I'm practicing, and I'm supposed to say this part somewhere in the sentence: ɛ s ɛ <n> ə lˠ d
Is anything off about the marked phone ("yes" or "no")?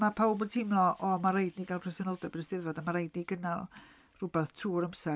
no